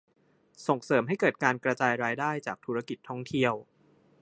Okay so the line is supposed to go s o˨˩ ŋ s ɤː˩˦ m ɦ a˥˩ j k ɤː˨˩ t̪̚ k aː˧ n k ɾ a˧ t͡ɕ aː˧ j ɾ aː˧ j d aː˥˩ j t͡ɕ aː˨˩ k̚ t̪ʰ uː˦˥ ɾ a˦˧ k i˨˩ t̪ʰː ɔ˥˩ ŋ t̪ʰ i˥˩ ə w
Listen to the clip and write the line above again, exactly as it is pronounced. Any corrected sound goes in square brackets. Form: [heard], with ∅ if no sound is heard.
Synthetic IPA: s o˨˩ ŋ s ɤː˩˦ m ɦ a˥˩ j k ɤː˨˩ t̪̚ k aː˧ n k ɾ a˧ t͡ɕ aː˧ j ɾ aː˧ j d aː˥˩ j t͡ɕ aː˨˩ k̚ t̪ʰ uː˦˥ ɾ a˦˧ k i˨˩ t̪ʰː ɔ˥˩ ŋ t̪ʰ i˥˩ ə w

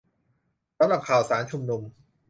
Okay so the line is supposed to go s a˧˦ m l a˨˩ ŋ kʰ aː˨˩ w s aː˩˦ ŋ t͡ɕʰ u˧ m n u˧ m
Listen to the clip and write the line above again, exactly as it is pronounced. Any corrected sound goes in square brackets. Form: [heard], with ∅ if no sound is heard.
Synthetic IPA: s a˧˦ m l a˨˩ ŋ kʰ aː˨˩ w s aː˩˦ [n] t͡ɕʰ u˧ m n u˧ m

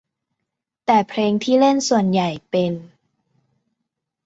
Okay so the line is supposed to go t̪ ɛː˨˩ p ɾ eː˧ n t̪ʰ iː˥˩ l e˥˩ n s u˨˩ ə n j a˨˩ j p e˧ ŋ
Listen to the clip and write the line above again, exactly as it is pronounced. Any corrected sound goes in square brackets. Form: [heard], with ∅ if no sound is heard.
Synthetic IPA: t̪ ɛː˨˩ [pʰ] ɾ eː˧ [ŋ] t̪ʰ iː˥˩ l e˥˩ n s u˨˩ ə n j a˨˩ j p e˧ [n]

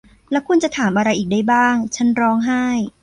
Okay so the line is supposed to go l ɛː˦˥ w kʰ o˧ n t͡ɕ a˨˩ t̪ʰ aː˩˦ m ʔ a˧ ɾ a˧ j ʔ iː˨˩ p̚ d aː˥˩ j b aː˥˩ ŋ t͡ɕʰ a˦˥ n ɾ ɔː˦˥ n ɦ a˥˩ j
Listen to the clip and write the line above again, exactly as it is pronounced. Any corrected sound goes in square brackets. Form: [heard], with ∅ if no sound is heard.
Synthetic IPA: l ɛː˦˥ w kʰ [u˧] n t͡ɕ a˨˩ t̪ʰ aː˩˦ m ʔ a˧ ɾ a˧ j ʔ iː˨˩ [k̚] d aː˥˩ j b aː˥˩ ŋ t͡ɕʰ a˦˥ n ɾ ɔː˦˥ [ŋ] ɦ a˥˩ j

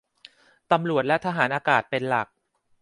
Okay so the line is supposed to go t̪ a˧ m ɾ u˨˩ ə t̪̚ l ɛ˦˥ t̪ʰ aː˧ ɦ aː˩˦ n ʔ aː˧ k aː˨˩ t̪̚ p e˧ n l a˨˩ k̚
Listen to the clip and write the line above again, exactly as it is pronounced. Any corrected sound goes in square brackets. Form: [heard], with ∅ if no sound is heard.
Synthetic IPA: t̪ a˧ m ɾ u˨˩ ə t̪̚ l ɛ˦˥ t̪ʰ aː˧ ɦ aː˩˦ n ʔ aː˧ k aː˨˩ t̪̚ p e˧ n l a˨˩ k̚

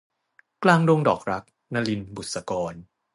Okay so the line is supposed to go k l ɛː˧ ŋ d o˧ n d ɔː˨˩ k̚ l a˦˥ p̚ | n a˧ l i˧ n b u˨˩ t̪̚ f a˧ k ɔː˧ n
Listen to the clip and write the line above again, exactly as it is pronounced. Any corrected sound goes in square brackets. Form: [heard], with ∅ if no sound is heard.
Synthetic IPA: k l [aː˧] ŋ d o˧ [ŋ] d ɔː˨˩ k̚ [ɾ] a˦˥ [k̚] | n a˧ l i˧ n b u˨˩ t̪̚ [s] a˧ k ɔː˧ n

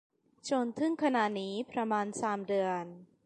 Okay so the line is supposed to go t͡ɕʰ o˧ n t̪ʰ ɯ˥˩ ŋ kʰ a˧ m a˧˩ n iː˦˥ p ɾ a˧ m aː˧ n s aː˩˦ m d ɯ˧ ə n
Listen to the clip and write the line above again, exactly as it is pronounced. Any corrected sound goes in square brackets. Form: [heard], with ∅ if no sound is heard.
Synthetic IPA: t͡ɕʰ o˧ n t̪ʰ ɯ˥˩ ŋ kʰ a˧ [n] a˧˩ n iː˦˥ p ɾ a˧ m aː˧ n s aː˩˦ m d ɯ˧ ə n

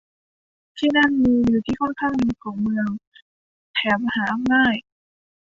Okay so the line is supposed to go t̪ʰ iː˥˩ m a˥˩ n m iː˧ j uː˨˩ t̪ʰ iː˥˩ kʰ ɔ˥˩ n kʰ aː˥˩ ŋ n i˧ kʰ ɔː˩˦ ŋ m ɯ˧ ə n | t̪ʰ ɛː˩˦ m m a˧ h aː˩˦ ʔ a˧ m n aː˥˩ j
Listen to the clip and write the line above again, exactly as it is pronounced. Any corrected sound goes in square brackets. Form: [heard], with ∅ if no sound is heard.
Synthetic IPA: t̪ʰ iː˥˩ [n] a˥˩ n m iː˧ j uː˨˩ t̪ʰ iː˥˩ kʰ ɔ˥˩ n kʰ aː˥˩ ŋ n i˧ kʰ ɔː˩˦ ŋ m ɯ˧ ə [ŋ] | t̪ʰ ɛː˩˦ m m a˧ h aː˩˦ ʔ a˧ m n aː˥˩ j

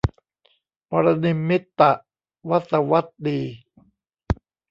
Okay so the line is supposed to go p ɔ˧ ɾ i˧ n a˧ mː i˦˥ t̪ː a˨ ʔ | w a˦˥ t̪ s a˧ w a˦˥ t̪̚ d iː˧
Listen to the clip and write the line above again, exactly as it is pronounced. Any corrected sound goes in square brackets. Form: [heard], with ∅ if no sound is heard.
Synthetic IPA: p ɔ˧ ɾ [a˧] n [i˧] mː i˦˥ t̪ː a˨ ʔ | w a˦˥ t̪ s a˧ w a˦˥ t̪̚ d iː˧

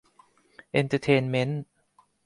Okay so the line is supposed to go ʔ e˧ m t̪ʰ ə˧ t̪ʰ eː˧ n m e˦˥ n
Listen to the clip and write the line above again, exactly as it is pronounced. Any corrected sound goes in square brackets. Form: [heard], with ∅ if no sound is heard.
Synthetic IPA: ʔ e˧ [n] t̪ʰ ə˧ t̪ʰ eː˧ n m e˦˥ n

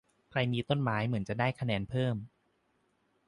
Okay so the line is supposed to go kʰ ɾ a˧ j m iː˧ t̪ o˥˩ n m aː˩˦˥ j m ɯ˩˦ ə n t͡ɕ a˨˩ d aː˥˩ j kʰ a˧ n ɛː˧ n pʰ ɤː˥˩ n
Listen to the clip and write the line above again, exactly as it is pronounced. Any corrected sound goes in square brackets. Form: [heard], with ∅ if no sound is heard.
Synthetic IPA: kʰ ɾ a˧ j m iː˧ t̪ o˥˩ n m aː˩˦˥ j m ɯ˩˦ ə n t͡ɕ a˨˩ d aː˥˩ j kʰ a˧ n ɛː˧ n pʰ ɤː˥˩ [m]

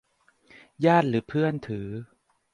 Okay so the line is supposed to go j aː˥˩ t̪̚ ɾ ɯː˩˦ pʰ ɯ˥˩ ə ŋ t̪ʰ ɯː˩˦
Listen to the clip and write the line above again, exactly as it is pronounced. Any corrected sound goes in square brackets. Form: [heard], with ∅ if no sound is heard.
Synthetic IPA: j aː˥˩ t̪̚ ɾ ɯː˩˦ pʰ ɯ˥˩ ə [n] t̪ʰ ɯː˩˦

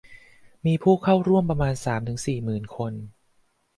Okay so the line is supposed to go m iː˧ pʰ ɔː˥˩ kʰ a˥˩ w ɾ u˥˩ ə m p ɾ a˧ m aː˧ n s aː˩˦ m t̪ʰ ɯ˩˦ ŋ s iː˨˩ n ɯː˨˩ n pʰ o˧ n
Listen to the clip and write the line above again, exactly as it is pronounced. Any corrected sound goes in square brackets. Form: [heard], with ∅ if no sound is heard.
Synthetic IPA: m iː˧ pʰ [uː˥˩] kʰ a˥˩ w ɾ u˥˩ ə m p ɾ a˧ m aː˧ n s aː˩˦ m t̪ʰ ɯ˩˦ ŋ s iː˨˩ [m] ɯː˨˩ n [kʰ] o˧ n

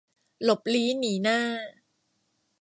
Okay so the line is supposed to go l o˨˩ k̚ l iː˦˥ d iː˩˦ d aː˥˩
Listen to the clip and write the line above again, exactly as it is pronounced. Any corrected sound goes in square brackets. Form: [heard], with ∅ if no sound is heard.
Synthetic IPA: l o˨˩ [p̚] l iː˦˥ [n] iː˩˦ [n] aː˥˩

